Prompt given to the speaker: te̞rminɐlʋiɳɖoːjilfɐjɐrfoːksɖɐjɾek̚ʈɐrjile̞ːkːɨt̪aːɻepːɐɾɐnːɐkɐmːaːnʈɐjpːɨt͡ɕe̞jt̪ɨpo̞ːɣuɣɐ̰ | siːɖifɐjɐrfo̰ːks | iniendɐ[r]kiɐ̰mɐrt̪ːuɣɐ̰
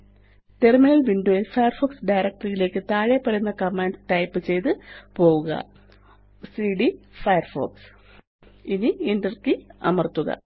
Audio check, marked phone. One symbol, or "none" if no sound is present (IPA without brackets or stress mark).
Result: r